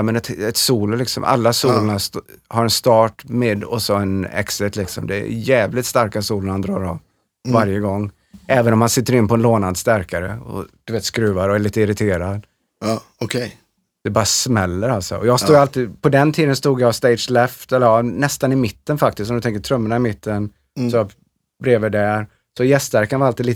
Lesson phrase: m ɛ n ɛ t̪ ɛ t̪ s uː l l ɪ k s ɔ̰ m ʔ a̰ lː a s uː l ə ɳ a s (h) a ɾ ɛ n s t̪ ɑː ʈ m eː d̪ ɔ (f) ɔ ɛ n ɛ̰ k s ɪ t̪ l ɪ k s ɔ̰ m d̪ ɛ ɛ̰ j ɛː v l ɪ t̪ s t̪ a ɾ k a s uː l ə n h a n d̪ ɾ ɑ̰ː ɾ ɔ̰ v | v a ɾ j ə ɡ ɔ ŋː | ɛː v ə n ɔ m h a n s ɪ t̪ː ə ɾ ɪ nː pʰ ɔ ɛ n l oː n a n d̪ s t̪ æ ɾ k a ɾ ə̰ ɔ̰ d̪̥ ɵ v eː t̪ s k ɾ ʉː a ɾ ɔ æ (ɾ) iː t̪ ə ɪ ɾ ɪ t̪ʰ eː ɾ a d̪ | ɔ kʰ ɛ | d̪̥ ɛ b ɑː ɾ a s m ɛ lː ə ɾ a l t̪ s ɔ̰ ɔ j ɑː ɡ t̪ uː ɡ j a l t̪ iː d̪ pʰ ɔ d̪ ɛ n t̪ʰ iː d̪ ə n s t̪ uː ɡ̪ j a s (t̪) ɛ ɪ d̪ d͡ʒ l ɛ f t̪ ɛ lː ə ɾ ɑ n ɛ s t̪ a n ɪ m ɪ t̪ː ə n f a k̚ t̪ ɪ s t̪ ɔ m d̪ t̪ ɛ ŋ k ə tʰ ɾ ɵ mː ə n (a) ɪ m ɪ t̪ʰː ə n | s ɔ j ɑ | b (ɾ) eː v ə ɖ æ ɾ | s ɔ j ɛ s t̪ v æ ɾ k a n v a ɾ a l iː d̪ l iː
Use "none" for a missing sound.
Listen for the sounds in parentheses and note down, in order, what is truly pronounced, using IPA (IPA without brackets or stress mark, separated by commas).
h, s, ɭ, t̪, a, ɾ